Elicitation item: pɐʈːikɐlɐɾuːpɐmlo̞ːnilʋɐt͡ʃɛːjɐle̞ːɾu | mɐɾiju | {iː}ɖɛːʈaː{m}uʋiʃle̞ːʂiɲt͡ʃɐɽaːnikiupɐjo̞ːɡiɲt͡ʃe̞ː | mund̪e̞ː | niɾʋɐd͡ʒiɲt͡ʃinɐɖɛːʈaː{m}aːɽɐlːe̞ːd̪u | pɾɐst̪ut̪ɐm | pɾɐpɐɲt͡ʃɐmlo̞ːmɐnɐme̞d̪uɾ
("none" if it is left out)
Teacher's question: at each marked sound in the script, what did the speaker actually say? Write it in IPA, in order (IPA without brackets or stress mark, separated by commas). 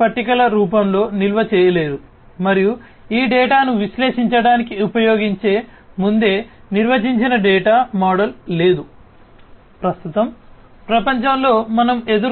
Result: iː, n, m